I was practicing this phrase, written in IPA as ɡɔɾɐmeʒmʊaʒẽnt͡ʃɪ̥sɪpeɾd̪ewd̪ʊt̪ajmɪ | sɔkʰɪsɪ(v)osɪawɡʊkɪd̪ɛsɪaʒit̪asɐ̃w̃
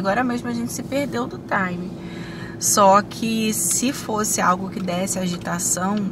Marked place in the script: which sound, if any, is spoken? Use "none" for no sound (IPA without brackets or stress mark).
f